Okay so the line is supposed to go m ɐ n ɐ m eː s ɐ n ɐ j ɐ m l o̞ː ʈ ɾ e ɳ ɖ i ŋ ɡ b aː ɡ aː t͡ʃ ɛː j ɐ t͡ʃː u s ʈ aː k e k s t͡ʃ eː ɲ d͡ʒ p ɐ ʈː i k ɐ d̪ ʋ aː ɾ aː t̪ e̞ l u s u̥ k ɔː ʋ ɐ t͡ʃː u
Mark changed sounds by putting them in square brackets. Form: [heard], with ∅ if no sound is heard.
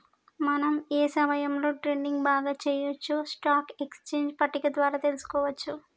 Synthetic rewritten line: m ɐ n ɐ m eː s ɐ [m] ɐ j ɐ m l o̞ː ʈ ɾ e ɳ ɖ i ŋ ɡ b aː ɡ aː t͡ʃ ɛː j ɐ t͡ʃː u s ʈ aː k e k s t͡ʃ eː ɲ d͡ʒ p ɐ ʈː i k ɐ d̪ ʋ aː ɾ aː t̪ e̞ l u s u̥ k ɔː ʋ ɐ t͡ʃː u